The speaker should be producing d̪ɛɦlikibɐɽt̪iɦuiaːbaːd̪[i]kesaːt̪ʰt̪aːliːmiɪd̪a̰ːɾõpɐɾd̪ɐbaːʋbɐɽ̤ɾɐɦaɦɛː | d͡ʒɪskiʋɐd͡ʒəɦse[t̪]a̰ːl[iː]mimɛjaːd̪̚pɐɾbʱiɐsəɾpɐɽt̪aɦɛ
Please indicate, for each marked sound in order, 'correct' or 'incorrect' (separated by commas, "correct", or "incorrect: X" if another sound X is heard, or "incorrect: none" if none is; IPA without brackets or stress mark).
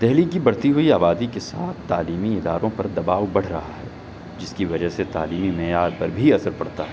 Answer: correct, correct, correct